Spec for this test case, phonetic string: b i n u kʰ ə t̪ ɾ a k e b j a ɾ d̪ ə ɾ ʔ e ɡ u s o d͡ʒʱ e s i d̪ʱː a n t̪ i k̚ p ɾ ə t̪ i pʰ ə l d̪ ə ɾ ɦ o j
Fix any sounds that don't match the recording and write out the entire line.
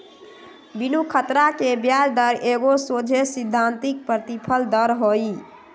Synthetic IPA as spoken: b i n u kʰ ə t̪ ɾ a k e b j a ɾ d̪ ə ɾ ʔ e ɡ o s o d͡ʒʱ e s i d̪ʱː a n t̪ i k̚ p ɾ ə t̪ i pʰ ə l d̪ ə ɾ ɦ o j